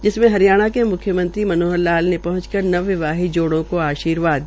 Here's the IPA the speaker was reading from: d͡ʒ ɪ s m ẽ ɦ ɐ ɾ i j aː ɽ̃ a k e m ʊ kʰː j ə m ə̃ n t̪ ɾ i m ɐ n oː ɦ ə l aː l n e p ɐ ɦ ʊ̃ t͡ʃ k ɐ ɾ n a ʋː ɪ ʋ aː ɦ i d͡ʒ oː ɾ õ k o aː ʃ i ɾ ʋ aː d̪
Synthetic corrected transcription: d͡ʒ ɪ s m ẽ ɦ ɐ ɾ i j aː ɽ̃ a k e m ʊ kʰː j ə m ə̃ n t̪ ɾ i m ɐ n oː ɦ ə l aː l n e p ɐ ɦ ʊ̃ t͡ʃ k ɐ ɾ n ɐ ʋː ɪ ʋ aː ɦ i d͡ʒ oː ɽ õ k o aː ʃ iː ɾ ʋ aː d̪